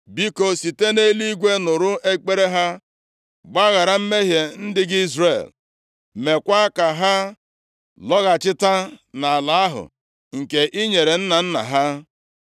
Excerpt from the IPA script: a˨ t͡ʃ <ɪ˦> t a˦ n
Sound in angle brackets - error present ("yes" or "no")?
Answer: no